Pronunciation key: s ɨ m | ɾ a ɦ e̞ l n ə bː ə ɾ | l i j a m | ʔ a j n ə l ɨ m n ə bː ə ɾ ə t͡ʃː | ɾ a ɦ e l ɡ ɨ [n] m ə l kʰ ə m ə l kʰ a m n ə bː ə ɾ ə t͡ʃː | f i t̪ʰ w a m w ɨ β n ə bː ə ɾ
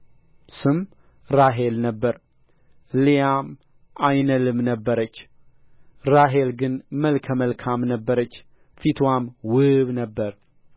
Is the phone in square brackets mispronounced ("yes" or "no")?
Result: no